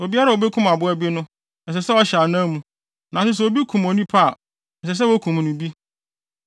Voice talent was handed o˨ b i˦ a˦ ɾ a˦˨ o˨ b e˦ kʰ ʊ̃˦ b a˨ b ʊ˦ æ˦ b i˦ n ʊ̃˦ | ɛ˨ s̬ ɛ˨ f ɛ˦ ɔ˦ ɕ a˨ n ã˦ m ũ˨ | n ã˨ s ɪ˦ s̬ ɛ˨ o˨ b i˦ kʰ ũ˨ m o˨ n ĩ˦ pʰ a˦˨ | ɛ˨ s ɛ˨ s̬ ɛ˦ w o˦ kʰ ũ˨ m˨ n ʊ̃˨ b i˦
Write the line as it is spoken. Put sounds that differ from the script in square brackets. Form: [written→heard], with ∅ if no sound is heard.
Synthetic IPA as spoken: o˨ b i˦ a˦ ɾ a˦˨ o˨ b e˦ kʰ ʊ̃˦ [b→m] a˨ b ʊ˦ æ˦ b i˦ n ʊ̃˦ | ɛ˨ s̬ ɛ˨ [f→s] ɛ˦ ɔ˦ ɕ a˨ n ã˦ m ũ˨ | n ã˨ s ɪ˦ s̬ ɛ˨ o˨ b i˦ kʰ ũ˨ m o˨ n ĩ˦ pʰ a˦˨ | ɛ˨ s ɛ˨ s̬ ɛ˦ w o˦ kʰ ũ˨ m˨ n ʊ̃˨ b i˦

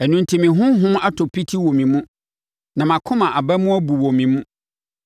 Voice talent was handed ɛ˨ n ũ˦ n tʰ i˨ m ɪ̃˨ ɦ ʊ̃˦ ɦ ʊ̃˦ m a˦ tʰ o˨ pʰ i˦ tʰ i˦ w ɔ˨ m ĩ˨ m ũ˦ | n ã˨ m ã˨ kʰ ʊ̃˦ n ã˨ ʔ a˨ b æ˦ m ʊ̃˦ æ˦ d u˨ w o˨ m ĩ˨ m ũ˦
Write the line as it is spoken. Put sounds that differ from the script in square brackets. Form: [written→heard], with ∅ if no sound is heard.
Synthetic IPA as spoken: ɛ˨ n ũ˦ n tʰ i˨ m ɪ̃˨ ɦ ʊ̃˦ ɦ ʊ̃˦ m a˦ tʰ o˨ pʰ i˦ tʰ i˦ w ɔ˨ m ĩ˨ m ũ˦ | n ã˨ m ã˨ kʰ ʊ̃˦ [n→m] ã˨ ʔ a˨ b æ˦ m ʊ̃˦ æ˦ [d→b] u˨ w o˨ m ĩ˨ m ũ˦

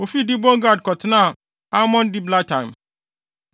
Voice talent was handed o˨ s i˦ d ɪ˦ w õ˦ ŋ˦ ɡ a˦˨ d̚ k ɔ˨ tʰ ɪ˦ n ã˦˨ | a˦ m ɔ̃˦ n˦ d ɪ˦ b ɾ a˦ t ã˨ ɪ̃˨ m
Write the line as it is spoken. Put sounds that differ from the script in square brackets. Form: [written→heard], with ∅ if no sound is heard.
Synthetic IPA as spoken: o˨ [s→f] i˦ d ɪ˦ [w→b] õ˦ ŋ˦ ɡ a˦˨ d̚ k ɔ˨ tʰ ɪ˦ n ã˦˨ | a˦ m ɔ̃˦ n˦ d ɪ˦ b [ɾ→l] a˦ t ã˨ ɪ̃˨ m

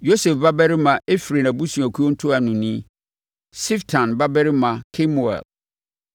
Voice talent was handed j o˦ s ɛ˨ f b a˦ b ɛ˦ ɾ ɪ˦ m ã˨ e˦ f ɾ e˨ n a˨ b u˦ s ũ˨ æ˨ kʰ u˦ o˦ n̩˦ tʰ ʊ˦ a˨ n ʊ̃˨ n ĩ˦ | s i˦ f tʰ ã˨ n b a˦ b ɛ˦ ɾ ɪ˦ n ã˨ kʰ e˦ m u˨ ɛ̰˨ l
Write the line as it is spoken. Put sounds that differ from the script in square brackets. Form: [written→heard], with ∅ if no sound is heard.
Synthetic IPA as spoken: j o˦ s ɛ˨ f b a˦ b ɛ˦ ɾ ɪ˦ m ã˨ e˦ f ɾ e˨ n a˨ b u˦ s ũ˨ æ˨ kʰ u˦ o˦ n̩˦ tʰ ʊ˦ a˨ n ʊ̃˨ n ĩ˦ | s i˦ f tʰ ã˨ n b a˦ b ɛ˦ ɾ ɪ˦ [n→m] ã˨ kʰ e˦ m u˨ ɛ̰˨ l

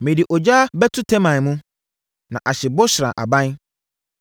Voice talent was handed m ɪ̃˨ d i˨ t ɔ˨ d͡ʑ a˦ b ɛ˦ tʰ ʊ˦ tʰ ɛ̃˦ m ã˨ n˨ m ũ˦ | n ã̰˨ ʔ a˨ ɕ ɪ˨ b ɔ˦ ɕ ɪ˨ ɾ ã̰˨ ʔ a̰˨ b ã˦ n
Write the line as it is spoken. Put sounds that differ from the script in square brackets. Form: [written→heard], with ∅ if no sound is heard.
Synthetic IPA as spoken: m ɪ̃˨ d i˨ [t→ʔ] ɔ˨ d͡ʑ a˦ b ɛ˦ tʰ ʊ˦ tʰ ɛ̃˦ m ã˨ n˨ m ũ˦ | n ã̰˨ ʔ a˨ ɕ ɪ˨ b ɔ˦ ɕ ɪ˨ ɾ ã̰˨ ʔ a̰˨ b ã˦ n

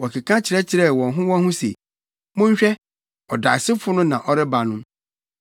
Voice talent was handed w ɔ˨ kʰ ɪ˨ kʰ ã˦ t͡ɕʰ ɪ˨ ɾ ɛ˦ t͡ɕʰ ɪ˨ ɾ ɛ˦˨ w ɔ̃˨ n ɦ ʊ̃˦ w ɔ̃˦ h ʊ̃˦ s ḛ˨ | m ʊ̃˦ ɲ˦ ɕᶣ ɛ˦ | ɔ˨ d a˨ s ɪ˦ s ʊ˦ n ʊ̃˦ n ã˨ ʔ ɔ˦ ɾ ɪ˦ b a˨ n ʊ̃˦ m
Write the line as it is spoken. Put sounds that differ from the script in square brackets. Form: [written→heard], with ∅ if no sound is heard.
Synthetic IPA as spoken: w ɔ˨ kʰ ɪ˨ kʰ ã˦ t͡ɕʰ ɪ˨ ɾ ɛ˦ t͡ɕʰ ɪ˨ ɾ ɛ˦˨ w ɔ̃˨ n ɦ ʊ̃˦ w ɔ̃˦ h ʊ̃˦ s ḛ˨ | m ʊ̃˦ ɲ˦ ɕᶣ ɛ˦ | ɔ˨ d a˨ s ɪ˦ [s→f] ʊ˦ n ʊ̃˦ n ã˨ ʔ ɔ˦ ɾ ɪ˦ b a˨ n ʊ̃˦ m

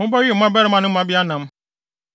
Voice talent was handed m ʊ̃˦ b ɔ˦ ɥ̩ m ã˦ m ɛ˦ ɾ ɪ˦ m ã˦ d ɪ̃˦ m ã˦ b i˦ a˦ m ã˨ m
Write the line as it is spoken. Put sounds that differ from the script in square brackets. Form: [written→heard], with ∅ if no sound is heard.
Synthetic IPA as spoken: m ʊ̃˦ b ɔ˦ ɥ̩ m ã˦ [m→b] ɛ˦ ɾ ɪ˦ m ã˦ [d→n] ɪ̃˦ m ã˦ b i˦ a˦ [m→n] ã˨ m

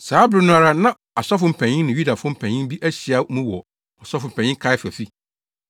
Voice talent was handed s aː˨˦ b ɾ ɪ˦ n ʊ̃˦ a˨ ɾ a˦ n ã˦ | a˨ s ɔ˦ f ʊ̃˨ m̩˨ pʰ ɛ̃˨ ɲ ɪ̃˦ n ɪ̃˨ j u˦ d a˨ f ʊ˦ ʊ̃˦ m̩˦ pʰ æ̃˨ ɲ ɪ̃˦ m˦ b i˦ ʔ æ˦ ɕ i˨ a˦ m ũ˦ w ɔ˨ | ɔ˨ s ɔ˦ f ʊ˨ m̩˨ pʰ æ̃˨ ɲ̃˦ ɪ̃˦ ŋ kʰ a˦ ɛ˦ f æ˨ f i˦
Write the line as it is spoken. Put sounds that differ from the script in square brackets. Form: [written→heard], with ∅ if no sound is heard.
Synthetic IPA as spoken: s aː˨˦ b ɾ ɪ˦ n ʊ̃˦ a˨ ɾ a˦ n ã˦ | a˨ s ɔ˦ f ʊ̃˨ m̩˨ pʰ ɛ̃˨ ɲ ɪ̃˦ n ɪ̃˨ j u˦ d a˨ f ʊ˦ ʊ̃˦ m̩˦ pʰ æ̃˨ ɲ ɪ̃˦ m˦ b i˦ ʔ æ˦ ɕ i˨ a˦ m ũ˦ w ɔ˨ | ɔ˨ s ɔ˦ f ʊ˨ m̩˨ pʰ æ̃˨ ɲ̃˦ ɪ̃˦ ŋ kʰ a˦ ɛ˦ f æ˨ f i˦

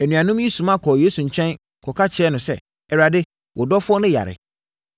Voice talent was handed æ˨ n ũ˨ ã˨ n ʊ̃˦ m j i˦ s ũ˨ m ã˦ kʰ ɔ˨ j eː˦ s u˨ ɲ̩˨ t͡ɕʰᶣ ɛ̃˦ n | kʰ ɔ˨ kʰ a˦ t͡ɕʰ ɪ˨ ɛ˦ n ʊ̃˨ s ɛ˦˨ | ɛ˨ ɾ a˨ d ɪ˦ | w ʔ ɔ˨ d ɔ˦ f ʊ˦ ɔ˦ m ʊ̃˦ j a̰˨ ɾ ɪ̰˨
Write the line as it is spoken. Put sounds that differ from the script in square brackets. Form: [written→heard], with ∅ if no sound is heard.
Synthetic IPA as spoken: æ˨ n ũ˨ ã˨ n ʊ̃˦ m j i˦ s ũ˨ m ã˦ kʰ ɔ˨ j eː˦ s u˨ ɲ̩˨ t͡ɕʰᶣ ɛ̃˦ n | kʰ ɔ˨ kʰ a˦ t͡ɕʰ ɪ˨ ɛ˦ n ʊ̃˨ s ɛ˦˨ | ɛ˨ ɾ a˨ d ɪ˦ | w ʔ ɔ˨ d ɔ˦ f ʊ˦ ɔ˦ [m→n] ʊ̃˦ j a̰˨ ɾ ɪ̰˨

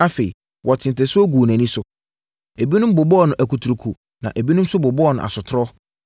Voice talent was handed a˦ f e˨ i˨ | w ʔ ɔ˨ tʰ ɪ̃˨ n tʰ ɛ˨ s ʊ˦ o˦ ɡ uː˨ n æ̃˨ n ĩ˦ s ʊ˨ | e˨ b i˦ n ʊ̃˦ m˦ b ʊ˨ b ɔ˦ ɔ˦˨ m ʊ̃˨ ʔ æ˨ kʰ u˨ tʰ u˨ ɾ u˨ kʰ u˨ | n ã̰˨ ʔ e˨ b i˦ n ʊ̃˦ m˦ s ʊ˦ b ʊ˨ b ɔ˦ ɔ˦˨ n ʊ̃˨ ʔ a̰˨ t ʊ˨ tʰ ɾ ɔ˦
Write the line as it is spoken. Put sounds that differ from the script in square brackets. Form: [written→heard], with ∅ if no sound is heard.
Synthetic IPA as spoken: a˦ f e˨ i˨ | w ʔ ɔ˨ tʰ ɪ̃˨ n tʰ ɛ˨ s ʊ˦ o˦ ɡ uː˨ n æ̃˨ n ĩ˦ s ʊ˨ | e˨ b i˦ n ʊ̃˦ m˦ b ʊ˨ b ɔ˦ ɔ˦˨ [m→n] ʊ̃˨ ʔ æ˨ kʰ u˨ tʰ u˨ ɾ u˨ kʰ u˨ | n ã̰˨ ʔ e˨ b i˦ n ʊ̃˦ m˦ s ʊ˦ b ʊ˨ b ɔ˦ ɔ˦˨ n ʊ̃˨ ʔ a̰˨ [t→s] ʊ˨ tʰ ɾ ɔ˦

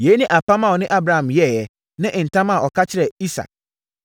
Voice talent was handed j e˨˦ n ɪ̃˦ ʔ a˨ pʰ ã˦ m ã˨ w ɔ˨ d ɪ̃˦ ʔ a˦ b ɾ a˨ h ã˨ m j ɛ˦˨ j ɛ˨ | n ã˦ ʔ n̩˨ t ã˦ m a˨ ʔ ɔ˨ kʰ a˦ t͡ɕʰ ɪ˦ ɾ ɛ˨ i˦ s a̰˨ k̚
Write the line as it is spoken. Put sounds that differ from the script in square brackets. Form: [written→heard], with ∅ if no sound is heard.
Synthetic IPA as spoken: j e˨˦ n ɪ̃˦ ʔ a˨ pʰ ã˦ m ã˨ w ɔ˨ [d→n] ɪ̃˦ ʔ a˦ b ɾ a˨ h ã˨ m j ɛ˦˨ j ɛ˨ | n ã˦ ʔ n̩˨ t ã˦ m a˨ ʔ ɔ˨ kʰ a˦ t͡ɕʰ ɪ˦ ɾ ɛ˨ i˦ s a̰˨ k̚

